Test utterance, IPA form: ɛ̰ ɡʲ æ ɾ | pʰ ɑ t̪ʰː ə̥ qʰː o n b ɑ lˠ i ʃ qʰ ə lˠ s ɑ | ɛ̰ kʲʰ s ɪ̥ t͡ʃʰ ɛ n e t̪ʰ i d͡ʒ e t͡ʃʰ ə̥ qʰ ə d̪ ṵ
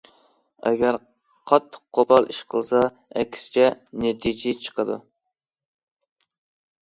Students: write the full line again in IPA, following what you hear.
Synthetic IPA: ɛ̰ ɡʲ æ ɾ | qʰ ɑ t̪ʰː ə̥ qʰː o b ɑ lˠ i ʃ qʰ ə lˠ s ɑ | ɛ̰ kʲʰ s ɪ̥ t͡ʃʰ ɛ n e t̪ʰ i d͡ʒ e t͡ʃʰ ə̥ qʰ ə d̪ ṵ